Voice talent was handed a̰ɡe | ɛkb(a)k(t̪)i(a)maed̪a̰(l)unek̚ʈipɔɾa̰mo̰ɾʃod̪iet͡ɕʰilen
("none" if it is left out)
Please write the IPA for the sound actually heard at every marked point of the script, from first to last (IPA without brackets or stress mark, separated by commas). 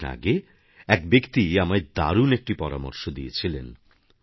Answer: e, t̪, a, ɾ